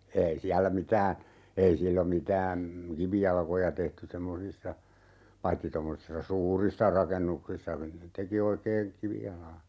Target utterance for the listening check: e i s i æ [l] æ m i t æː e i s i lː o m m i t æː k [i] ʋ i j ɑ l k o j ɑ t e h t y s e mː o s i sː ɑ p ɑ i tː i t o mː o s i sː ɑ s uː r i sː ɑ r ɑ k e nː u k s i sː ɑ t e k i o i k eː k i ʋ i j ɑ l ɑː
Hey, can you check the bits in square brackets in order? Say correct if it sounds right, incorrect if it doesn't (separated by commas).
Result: incorrect, correct